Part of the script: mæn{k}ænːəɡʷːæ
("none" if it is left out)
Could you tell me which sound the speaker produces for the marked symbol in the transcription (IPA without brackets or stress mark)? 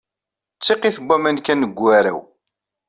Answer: k